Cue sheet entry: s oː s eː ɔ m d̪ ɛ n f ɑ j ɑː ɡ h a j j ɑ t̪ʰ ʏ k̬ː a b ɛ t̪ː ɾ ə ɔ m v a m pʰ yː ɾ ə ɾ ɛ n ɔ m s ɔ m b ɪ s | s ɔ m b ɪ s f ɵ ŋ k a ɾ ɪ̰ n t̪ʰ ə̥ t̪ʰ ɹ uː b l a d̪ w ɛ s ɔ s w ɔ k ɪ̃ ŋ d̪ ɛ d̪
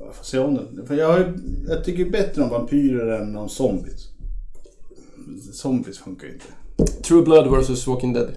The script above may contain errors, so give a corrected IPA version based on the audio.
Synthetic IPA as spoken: f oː s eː ɔ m d̪ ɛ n f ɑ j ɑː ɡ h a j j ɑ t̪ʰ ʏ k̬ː ə b ɛ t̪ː ɾ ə ɔ m v a m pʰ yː ɾ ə ɾ ɛ n ɔ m s ɔ m b ɪ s | s ɔ m b ɪ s f ɵ ŋ k a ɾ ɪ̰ n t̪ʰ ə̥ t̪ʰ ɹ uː b l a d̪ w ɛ s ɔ s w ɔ k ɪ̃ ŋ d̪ ɛ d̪